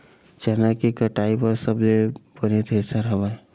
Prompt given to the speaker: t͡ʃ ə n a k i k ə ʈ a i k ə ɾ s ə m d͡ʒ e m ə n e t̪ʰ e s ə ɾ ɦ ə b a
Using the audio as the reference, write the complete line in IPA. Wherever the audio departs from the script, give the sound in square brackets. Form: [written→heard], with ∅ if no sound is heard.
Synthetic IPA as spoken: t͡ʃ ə n a k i k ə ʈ a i [k→p] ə ɾ s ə [m→b] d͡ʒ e [m→b] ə n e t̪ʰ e s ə ɾ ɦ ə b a